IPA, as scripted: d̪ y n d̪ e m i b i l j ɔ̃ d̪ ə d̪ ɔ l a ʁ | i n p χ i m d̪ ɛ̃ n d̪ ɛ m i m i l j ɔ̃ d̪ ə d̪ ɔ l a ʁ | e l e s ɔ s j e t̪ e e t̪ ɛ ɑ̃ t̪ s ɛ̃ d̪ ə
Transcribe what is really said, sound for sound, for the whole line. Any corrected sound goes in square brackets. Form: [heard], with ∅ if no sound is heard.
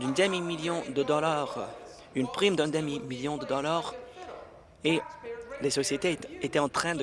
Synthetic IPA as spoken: d̪ y n d̪ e m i [m] i l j ɔ̃ d̪ ə d̪ ɔ l a ʁ | [y] n p χ i m d̪ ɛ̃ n d̪ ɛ m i m i l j ɔ̃ d̪ ə d̪ ɔ l a ʁ | e l e s ɔ s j e t̪ e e t̪ ɛ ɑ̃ t̪ [χ] ɛ̃ d̪ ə